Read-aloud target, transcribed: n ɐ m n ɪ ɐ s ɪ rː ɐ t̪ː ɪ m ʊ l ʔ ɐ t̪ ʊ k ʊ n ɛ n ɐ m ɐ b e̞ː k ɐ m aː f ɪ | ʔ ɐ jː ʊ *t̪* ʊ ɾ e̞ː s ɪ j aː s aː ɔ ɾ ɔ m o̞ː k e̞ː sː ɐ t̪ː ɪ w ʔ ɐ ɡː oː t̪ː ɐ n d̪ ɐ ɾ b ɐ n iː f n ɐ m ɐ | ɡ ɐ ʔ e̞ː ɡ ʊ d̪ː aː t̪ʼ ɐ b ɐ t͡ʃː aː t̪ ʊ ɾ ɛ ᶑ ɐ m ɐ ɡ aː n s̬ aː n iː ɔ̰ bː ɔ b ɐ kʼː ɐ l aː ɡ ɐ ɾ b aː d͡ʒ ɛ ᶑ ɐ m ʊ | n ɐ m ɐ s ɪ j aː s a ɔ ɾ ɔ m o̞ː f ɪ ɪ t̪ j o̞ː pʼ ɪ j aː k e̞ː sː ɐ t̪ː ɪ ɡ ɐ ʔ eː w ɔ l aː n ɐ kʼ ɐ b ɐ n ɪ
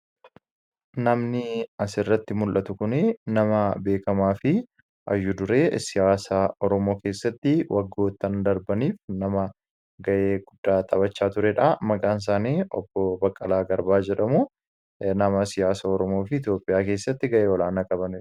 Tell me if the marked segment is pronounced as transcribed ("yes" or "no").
no